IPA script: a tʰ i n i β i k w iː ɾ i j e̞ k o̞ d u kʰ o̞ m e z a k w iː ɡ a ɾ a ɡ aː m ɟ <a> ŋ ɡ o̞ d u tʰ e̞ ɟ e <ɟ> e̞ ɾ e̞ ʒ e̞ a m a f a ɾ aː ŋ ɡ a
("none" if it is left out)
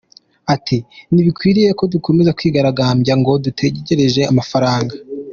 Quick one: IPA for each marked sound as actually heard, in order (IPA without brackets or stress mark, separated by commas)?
a, ɟ